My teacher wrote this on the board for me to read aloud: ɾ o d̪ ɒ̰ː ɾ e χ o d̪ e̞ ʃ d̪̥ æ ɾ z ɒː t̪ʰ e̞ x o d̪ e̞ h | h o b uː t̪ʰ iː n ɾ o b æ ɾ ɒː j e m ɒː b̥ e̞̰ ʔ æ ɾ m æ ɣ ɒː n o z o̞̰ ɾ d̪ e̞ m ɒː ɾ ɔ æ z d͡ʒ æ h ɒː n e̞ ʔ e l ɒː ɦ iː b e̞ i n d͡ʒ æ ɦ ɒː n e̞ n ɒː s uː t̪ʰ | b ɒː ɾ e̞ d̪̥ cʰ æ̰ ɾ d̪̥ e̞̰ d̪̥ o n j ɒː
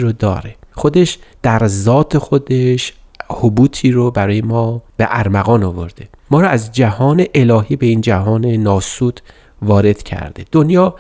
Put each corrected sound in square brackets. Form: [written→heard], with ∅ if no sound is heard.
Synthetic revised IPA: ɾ o d̪ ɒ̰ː ɾ e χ o d̪ e̞ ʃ d̪̥ æ ɾ z ɒː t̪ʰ e̞ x o d̪ e̞ [h→ʃ] | h o b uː t̪ʰ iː [n→∅] ɾ o b æ ɾ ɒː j e m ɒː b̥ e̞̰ ʔ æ ɾ m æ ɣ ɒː n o [z→v] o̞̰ ɾ d̪ e̞ m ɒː ɾ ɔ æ z d͡ʒ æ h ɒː n e̞ ʔ e l ɒː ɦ iː b e̞ i n d͡ʒ æ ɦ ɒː n e̞ n ɒː s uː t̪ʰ | [b→v] ɒː ɾ e̞ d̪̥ cʰ æ̰ ɾ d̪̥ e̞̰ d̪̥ o n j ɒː